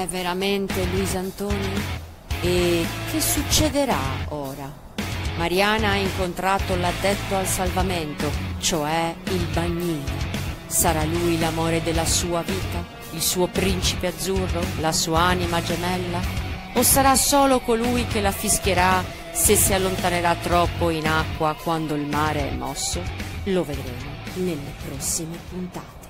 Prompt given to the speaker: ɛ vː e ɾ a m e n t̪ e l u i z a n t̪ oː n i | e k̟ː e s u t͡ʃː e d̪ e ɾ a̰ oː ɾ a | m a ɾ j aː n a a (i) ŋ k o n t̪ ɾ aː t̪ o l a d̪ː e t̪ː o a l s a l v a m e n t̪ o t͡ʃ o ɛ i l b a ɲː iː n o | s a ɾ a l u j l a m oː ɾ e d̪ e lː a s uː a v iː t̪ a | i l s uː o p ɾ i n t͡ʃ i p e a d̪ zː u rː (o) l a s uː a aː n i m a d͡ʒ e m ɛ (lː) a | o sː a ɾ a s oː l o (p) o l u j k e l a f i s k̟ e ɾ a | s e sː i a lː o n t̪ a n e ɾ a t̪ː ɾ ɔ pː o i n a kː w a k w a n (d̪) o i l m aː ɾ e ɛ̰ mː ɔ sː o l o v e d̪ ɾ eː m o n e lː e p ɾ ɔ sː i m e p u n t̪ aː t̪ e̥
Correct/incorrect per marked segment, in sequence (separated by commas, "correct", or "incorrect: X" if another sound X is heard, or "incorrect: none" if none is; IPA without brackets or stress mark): correct, correct, correct, incorrect: k, correct